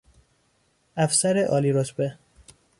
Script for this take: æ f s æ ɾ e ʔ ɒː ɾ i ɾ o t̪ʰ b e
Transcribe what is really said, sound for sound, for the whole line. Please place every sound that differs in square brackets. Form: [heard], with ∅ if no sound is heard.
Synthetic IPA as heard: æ f s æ ɾ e ʔ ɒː [l] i ɾ o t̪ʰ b e